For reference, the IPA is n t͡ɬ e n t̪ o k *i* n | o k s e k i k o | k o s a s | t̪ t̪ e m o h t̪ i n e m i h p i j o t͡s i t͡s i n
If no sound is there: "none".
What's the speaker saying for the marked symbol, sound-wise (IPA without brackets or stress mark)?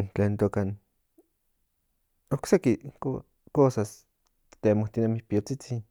a